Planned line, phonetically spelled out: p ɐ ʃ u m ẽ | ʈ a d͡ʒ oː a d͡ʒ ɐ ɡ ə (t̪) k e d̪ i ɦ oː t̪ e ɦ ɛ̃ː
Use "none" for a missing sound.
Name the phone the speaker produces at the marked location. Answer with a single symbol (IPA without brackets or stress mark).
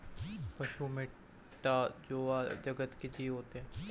t̪